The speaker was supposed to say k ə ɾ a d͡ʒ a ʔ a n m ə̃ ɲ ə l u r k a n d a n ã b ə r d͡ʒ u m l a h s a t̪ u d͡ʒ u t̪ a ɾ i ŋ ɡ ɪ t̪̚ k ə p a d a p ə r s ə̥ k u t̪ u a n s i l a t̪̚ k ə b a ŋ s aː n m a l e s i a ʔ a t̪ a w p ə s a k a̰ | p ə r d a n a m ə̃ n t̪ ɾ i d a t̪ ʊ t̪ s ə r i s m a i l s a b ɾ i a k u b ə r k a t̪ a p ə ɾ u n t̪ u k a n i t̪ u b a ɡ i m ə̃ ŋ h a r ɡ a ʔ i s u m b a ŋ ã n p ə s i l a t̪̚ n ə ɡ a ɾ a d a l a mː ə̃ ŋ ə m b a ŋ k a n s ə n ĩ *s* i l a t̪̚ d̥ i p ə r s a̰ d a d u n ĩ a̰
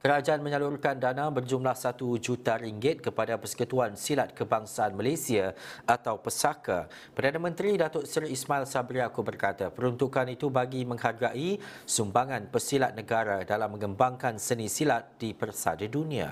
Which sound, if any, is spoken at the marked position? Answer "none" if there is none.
s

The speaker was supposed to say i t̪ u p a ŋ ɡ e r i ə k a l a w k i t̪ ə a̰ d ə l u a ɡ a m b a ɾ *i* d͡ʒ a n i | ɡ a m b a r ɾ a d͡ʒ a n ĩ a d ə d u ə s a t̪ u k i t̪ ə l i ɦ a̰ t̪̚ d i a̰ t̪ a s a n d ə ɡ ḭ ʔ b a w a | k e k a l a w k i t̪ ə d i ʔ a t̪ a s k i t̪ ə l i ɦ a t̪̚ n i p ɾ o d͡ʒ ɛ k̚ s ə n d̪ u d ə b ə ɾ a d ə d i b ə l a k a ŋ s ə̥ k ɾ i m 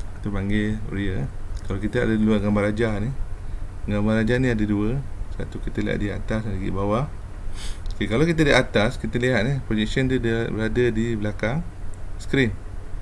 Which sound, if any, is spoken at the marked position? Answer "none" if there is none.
a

